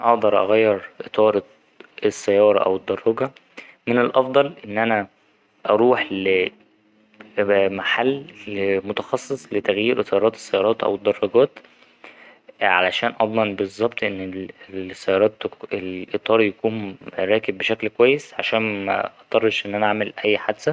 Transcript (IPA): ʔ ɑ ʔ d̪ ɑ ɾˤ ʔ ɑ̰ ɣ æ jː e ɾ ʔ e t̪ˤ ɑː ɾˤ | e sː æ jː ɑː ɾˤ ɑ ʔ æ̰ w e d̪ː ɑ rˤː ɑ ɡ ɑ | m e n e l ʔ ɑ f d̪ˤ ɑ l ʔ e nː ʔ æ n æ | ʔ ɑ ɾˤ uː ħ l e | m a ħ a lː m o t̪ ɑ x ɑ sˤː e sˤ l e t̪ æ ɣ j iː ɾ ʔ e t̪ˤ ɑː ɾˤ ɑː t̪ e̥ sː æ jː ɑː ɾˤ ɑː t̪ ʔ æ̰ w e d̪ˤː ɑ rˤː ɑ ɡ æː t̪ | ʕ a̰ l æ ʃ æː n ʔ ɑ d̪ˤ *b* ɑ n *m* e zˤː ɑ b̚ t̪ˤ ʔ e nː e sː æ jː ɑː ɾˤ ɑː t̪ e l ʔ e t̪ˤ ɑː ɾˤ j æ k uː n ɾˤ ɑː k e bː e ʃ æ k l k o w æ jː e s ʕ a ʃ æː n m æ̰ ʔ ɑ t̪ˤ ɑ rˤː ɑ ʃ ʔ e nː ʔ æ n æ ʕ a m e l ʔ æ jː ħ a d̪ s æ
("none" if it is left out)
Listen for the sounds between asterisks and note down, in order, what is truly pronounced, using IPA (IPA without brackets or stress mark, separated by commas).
m, b